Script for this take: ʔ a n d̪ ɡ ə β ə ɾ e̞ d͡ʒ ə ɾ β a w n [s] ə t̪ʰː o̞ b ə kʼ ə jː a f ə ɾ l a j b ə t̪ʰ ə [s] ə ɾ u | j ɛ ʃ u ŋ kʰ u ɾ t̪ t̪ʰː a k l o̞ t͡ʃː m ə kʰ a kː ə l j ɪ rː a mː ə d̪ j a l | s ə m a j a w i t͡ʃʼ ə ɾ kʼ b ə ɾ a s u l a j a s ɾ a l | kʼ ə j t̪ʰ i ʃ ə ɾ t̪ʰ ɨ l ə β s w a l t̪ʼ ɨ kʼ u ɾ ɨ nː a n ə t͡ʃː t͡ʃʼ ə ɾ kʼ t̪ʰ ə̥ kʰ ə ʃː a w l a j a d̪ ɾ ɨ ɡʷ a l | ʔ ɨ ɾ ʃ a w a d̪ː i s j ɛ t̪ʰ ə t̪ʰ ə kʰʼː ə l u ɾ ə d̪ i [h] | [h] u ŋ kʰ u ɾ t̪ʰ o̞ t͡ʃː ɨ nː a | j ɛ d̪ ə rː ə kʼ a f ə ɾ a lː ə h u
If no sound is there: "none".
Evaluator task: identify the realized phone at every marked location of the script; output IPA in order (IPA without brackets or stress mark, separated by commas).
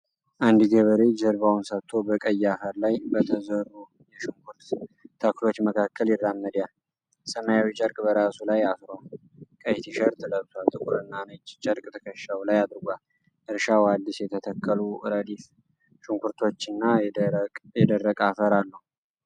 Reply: s, z, f, ʃ